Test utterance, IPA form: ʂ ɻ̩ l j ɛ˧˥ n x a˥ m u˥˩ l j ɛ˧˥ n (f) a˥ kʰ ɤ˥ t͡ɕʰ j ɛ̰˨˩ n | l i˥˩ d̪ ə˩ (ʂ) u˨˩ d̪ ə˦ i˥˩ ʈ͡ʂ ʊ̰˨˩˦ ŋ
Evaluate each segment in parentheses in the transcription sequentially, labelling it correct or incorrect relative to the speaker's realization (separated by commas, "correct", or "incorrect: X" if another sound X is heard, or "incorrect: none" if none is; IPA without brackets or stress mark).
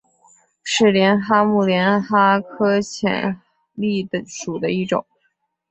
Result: incorrect: x, correct